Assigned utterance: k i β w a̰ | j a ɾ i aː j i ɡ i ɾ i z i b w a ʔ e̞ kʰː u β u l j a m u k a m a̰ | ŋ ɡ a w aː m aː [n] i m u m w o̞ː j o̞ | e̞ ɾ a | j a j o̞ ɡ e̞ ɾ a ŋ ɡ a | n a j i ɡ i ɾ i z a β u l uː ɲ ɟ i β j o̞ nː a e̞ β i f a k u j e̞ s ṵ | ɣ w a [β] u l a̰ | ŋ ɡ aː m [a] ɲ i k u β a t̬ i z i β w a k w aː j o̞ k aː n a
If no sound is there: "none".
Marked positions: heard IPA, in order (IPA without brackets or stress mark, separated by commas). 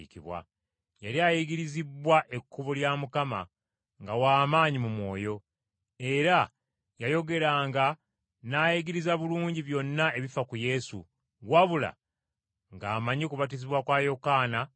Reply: ɲ, β, a